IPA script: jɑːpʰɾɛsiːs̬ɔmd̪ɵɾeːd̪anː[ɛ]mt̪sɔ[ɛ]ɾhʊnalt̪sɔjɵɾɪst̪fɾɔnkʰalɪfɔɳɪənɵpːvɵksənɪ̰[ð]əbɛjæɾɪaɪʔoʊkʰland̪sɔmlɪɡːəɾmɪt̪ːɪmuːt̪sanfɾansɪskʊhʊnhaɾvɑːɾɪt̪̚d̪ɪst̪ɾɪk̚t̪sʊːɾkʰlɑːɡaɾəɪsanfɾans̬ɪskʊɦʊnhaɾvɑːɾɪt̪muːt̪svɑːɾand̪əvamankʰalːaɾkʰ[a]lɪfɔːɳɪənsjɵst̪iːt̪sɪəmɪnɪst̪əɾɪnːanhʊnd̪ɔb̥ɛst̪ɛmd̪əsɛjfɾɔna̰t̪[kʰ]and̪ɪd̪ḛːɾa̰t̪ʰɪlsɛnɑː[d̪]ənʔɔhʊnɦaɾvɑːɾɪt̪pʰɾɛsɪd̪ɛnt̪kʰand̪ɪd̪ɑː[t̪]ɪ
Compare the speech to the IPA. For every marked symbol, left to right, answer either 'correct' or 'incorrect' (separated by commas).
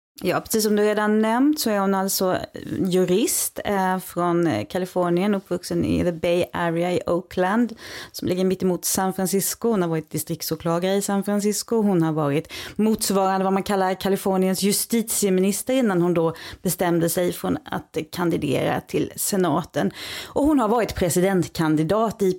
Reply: correct, incorrect, correct, correct, correct, incorrect, correct